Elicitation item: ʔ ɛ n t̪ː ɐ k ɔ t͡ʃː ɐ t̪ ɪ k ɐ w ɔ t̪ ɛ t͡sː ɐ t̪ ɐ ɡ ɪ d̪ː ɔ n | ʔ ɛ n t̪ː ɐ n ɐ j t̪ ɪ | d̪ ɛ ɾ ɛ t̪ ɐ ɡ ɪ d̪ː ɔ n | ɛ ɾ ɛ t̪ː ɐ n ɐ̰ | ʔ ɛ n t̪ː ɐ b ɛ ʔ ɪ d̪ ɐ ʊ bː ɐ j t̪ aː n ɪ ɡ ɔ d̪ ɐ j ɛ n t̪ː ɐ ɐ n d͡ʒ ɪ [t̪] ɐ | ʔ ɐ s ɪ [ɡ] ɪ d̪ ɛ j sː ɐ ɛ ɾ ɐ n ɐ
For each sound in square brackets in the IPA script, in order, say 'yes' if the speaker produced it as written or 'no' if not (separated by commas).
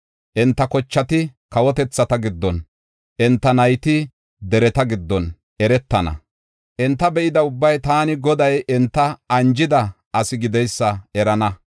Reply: no, yes